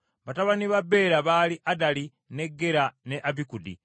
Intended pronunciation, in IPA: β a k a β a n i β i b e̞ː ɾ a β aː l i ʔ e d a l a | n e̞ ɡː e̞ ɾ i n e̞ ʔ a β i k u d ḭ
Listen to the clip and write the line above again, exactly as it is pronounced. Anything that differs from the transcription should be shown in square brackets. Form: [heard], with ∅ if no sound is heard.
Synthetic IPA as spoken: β a [t] a β a n i β [a] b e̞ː ɾ a β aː l i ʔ [a] d a l [i] | n e̞ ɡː e̞ ɾ [a] n e̞ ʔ a β i k u d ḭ